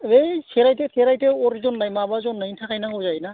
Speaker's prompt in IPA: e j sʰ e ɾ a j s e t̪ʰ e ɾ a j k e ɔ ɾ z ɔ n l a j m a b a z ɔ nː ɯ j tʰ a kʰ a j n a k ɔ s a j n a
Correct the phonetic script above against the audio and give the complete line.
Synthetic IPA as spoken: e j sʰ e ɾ a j t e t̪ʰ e ɾ a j t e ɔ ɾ z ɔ n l a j m a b a z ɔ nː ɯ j tʰ a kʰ a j n a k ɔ z a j n a